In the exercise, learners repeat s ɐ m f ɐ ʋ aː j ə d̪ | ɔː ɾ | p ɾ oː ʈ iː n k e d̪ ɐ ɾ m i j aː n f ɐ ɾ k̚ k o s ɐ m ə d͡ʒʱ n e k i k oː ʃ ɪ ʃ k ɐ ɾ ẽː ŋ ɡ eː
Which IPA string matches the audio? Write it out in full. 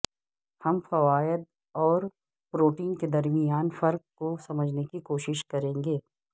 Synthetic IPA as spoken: h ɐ m f ɐ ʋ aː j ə d̪ | ɔː ɾ | p ɾ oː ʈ iː n k e d̪ ɐ ɾ m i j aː n f ɐ ɾ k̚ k o s ɐ m ə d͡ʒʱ n e k i k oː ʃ ɪ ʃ k ɐ ɾ ẽː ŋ ɡ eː